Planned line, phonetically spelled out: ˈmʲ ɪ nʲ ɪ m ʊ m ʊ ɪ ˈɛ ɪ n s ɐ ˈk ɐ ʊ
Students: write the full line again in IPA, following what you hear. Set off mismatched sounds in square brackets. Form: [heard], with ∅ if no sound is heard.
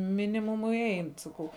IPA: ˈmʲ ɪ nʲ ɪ m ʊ m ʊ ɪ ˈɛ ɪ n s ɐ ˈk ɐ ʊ

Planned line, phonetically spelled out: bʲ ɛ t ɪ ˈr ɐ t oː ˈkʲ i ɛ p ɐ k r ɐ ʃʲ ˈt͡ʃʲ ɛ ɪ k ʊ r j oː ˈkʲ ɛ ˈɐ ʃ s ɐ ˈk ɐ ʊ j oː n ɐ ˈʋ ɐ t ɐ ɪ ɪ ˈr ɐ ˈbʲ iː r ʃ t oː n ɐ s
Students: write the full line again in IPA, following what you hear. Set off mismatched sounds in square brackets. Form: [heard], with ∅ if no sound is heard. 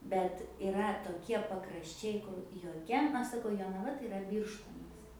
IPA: bʲ ɛ t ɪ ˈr ɐ t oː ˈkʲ i ɛ p ɐ k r ɐ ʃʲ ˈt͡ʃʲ ɛ ɪ k ʊ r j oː ˈkʲ ɛ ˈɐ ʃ s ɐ ˈk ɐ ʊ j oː n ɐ ˈʋ ɐ t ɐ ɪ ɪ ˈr ɐ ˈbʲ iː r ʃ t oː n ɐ s

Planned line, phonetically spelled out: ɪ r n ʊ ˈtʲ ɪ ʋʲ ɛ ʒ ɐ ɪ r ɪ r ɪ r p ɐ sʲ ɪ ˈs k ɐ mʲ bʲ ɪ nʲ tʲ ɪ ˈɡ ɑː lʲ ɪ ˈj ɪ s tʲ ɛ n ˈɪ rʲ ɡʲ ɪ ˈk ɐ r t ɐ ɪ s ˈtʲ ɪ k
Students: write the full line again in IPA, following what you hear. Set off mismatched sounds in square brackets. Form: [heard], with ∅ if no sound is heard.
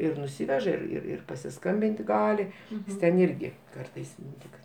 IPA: ɪ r n ʊ [ˈsʲ] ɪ ʋʲ ɛ ʒ ɐ ɪ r ɪ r ɪ r p ɐ sʲ ɪ ˈs k ɐ mʲ bʲ ɪ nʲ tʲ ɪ ˈɡ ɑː lʲ ɪ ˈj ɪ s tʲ ɛ n ˈɪ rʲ ɡʲ ɪ ˈk ɐ r t ɐ ɪ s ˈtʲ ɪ k

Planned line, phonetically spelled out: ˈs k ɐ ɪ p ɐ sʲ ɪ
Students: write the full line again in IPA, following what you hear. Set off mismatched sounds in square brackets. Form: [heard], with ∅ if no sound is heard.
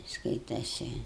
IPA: ˈs k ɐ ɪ [t] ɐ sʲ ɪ

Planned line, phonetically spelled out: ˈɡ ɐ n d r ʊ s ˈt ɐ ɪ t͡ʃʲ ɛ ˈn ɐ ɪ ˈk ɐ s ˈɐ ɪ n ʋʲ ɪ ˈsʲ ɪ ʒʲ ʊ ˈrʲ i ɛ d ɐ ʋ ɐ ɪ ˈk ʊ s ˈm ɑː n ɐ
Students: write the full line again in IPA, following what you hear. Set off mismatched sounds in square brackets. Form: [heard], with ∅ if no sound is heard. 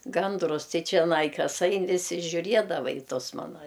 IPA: ˈɡ ɐ n d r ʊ s ˈt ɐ ɪ t͡ʃʲ ɛ ˈn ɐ ɪ ˈk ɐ s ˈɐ ɪ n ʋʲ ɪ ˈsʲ ɪ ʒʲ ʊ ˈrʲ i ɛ d ɐ ʋ ɐ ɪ [ˈt] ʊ s ˈm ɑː n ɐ

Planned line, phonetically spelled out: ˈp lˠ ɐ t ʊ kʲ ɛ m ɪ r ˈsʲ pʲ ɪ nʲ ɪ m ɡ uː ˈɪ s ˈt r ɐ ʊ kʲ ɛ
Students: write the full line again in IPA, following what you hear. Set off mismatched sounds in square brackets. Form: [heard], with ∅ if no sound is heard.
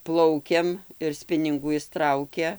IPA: ˈp lˠ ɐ [∅] ʊ kʲ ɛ m ɪ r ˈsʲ pʲ ɪ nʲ ɪ [ŋ] ɡ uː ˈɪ s ˈt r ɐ ʊ kʲ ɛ

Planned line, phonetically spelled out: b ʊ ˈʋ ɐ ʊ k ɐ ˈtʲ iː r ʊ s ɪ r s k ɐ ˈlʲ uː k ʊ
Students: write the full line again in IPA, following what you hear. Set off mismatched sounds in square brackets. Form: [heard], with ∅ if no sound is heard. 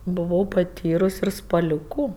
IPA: b ʊ ˈʋ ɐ ʊ [p] ɐ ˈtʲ iː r ʊ s ɪ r s [p] ɐ ˈlʲ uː k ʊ

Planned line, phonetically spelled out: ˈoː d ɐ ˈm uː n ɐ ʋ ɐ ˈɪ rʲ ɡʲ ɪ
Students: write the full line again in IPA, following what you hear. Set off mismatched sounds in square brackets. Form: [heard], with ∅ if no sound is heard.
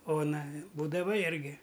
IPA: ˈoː [n] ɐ [ˈb] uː [d] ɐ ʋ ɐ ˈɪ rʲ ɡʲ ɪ

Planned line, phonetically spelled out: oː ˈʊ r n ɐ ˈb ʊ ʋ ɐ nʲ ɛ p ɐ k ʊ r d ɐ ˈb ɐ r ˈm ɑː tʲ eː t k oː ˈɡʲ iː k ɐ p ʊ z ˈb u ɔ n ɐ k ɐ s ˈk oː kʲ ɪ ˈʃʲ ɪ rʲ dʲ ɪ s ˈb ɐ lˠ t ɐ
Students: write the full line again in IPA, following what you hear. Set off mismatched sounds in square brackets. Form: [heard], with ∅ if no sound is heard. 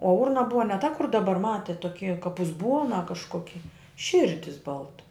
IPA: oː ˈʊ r n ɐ ˈb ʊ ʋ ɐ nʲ ɛ [t] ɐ k ʊ r d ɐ ˈb ɐ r ˈm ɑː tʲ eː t [t] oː [ˈkʲ] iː k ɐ p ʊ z ˈb u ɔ n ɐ k ɐ [ʃ] ˈk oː kʲ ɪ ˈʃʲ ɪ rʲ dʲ ɪ s ˈb ɐ lˠ t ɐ

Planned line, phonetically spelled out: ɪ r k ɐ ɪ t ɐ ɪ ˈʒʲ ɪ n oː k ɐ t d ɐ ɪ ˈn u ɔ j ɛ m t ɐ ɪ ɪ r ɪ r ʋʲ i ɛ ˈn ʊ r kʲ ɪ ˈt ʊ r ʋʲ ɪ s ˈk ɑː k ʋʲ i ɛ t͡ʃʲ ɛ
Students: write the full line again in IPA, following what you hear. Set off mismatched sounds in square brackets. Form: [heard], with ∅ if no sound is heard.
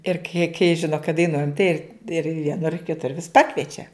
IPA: ɪ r k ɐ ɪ [k] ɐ ɪ ˈʒʲ ɪ n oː k ɐ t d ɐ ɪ ˈn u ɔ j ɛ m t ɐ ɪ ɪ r ɪ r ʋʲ i ɛ ˈn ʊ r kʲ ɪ ˈt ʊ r ʋʲ ɪ s [ˈp] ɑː k ʋʲ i ɛ t͡ʃʲ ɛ

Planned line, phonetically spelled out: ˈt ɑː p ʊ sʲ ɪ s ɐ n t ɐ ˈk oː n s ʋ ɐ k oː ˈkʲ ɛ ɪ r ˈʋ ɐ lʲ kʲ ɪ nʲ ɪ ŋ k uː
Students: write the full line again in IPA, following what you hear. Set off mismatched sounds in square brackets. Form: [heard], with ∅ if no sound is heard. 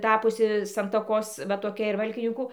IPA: ˈt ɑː p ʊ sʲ ɪ s ɐ n t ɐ ˈk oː [∅] s ʋ ɐ [t] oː ˈkʲ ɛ ɪ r ˈʋ ɐ lʲ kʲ ɪ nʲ ɪ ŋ k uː

